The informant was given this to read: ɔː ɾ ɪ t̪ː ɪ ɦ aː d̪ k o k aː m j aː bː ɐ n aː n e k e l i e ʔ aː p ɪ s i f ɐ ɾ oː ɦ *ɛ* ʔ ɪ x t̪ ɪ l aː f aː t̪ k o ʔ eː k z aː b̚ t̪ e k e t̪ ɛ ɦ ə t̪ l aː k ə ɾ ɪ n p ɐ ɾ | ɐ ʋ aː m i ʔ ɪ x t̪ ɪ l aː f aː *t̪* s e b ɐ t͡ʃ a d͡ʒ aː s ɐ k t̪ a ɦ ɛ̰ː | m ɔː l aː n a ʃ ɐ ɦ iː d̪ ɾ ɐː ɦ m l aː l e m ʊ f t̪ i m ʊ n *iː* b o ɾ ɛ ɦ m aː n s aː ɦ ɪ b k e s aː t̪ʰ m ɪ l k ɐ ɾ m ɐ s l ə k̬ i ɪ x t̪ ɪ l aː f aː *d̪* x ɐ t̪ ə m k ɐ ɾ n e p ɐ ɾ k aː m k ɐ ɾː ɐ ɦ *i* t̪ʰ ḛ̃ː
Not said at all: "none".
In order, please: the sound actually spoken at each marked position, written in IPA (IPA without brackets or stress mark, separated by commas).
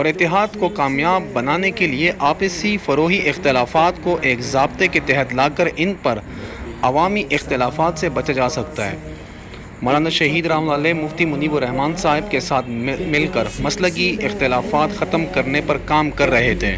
i, t̪, iː, t̪, e